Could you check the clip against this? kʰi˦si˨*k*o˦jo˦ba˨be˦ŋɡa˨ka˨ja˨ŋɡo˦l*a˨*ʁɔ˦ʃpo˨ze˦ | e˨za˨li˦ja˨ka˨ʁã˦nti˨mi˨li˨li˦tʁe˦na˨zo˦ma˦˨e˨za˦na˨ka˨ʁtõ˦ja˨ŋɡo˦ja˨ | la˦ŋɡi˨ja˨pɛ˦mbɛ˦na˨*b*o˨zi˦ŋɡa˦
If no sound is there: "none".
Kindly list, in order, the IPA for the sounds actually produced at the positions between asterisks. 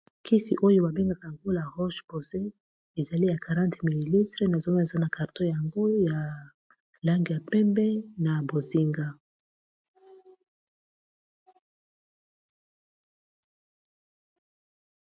ʔ, a˨, b

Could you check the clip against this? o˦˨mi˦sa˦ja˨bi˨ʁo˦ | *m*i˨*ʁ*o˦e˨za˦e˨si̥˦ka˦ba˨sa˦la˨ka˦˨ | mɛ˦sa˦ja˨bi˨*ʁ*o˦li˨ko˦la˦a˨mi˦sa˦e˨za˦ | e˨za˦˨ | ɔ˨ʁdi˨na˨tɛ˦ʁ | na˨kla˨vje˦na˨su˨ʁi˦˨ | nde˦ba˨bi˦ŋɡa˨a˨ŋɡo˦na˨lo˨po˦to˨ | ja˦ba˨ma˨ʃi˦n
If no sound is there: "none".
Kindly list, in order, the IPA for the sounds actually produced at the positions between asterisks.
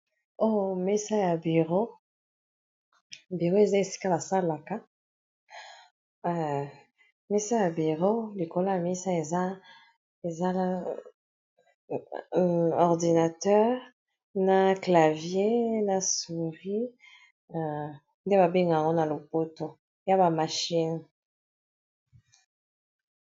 b, ʁ, ʁ

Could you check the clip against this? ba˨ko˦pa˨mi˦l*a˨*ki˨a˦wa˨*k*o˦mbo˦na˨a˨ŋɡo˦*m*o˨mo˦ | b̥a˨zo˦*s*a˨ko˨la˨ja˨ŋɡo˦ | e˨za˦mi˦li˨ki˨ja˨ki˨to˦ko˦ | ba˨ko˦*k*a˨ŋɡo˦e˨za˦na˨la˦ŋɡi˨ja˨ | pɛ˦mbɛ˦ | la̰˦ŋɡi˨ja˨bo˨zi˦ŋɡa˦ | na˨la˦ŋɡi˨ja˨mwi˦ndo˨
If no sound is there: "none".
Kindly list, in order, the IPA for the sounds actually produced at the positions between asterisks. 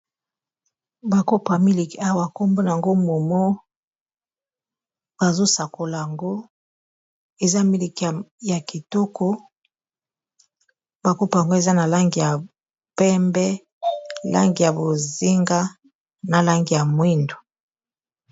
i˨, k, m, s, p

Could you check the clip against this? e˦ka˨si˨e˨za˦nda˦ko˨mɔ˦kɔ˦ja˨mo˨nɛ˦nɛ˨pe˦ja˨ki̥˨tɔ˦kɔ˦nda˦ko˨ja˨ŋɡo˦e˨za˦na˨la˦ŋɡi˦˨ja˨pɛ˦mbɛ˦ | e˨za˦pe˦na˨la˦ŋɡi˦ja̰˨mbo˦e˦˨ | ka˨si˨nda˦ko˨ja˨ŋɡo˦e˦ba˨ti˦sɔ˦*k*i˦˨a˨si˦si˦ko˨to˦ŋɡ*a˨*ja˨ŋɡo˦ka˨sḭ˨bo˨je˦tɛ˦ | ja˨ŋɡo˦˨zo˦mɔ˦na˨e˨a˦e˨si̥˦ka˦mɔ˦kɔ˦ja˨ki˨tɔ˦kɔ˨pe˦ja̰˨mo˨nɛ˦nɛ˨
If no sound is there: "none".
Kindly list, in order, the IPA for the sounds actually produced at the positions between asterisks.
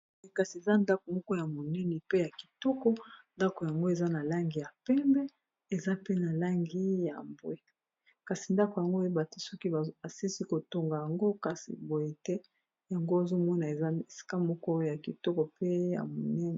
k, a˨

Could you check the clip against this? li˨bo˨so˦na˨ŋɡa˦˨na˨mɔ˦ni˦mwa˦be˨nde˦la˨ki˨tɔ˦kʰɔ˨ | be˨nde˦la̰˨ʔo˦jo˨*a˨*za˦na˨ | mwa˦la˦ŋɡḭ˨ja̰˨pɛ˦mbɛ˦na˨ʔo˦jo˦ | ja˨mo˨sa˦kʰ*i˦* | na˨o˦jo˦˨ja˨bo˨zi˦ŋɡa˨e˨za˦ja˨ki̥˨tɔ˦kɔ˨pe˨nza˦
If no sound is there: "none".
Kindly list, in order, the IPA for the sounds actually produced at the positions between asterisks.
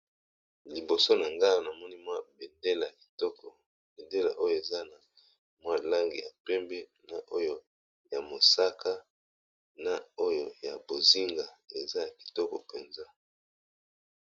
e˨, a˦

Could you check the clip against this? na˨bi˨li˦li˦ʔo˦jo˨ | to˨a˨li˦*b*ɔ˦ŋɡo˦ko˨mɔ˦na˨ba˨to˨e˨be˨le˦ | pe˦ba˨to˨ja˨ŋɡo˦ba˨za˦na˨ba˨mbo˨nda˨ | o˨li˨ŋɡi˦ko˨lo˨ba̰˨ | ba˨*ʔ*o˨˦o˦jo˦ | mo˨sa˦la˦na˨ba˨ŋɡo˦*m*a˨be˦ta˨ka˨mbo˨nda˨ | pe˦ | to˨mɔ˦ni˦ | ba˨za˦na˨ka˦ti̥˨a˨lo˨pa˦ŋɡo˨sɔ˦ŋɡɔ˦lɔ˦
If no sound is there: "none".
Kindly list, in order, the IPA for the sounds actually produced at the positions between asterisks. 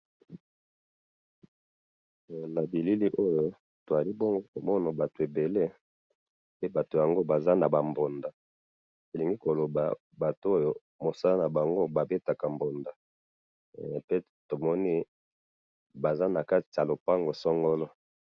b, t, b

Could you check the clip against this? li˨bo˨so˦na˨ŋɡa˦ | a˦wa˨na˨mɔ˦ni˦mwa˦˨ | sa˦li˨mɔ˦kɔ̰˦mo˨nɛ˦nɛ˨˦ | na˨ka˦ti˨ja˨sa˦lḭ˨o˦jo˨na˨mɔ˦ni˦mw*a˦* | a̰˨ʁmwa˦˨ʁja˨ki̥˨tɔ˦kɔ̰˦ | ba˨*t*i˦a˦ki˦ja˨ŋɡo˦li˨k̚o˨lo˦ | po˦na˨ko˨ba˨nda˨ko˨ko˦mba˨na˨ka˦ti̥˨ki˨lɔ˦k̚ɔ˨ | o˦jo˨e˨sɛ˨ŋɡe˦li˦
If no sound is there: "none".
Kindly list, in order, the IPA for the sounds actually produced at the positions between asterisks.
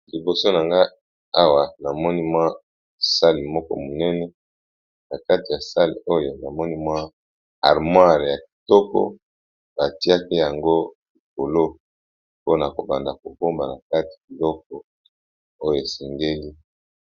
a˦, t

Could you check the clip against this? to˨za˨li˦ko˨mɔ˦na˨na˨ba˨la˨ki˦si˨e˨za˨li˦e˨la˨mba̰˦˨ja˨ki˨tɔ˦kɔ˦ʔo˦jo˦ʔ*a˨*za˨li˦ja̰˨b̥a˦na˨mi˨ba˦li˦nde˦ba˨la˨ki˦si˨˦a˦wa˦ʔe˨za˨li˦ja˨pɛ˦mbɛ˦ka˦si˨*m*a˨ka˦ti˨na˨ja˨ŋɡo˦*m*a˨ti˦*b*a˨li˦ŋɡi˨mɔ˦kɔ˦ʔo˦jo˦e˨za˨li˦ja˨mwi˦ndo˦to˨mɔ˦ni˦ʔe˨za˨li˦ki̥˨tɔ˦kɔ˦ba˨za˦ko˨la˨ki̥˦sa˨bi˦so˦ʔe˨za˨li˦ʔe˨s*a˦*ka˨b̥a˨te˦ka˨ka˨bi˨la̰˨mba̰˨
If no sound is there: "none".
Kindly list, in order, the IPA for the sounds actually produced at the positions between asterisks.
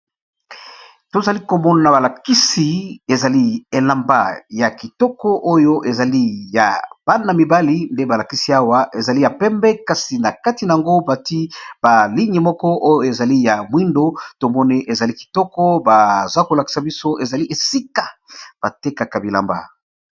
e˨, n, b, b, i˦

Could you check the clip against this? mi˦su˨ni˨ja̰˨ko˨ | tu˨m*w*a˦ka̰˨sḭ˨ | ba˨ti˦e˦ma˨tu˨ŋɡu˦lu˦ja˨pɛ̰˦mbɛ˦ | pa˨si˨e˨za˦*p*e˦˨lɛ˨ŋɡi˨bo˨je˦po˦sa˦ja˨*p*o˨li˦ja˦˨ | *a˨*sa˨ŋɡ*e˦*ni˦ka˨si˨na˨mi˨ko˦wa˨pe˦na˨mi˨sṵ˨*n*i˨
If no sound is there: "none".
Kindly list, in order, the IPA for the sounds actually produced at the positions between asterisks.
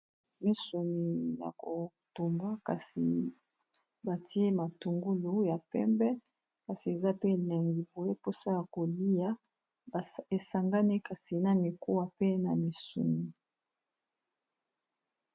b, p, k, e˨, a˦, n

